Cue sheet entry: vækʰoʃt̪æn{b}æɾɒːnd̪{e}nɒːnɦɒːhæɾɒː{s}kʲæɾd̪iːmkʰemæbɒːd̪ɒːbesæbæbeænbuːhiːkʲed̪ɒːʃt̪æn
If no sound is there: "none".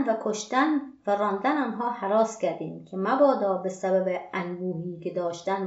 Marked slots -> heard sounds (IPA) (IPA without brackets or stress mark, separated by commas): v, æ, s